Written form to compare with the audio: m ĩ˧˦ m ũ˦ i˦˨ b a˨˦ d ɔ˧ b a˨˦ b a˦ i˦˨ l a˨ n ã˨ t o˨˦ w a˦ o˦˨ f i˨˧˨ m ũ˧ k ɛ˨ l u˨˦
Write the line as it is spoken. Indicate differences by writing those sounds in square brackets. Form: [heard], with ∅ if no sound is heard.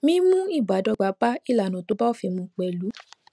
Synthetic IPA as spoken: m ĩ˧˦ m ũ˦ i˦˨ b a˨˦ d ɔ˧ [ɡ͡b] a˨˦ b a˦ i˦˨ l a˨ n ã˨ t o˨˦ [b] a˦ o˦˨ f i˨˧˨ m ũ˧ [k͡p] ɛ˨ l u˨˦